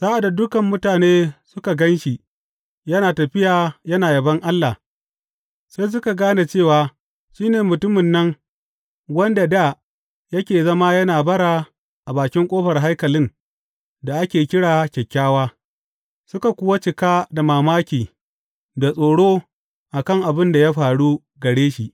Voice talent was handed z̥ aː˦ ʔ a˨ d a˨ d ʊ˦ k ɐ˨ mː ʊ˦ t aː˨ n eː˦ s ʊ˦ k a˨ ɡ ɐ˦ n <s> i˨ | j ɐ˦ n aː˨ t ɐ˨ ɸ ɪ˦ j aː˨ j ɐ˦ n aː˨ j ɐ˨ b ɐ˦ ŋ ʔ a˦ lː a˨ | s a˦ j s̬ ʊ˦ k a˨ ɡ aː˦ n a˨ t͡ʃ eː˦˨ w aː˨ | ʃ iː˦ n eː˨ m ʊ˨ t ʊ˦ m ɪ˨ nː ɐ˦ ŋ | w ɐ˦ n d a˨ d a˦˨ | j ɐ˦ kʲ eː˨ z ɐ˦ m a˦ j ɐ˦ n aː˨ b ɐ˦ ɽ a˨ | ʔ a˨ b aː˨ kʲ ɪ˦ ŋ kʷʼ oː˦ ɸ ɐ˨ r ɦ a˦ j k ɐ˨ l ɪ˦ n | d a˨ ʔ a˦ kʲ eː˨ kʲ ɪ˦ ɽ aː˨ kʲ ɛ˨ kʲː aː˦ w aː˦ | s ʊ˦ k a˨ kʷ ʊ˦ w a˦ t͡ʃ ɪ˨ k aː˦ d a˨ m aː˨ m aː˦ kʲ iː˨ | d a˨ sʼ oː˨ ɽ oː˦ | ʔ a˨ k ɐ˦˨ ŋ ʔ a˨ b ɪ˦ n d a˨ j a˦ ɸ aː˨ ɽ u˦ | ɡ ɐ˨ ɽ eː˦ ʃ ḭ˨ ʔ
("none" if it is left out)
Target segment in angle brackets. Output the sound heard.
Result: ʃ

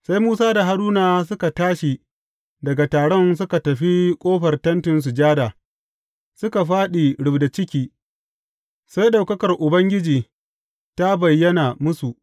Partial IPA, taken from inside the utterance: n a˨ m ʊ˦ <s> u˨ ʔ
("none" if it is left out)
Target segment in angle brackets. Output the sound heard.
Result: s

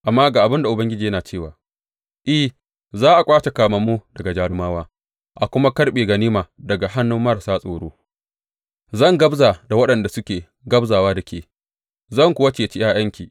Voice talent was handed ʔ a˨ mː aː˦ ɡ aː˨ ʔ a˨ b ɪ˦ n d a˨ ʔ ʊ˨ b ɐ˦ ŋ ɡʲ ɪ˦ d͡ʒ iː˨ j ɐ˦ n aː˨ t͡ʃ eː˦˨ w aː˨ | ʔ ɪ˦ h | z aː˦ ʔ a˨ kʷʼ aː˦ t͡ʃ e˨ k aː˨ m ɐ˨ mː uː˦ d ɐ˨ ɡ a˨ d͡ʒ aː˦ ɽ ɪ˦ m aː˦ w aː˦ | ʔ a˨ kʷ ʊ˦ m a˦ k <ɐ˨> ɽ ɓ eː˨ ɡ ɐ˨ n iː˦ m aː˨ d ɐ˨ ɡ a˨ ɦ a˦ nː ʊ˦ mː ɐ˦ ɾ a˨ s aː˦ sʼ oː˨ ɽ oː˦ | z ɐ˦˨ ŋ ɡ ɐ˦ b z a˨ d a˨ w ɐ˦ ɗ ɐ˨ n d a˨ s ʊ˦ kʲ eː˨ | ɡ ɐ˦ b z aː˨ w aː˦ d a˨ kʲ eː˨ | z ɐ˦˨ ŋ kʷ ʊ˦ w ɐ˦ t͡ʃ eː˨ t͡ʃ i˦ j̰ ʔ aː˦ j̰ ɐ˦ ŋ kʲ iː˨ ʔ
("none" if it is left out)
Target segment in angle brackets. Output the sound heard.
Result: ɐ˦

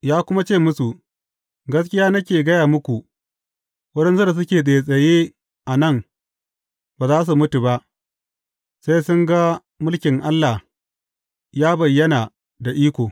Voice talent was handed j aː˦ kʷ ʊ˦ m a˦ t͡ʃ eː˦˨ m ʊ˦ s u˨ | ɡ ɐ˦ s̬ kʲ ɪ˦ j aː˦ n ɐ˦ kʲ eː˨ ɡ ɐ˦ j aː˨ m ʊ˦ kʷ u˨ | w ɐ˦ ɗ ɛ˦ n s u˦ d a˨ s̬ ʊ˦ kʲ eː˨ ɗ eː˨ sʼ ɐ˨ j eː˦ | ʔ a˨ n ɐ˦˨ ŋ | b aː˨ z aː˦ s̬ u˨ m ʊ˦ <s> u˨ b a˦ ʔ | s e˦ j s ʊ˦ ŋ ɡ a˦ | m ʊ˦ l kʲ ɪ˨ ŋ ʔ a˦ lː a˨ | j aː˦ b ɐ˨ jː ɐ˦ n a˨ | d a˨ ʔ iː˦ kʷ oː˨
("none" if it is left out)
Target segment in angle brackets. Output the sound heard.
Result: t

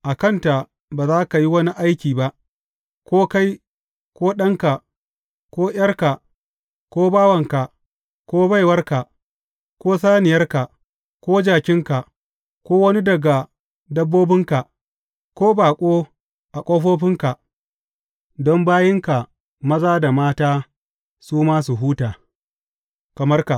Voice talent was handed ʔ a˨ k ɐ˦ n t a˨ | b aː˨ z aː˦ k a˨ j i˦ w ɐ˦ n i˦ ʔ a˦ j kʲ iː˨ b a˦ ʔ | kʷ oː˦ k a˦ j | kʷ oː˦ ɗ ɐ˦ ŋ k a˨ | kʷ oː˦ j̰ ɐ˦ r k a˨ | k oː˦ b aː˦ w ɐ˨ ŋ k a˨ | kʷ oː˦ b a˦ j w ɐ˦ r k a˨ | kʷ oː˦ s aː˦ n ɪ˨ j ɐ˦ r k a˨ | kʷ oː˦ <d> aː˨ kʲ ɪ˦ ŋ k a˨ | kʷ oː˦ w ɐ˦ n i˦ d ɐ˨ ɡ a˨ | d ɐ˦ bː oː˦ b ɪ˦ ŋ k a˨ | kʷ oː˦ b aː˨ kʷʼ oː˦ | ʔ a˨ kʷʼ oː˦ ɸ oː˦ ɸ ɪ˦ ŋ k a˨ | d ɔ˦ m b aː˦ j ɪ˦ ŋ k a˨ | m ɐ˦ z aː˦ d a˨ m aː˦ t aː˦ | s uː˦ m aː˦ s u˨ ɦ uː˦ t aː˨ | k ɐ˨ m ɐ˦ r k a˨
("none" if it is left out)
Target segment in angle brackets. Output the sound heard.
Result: d͡ʒ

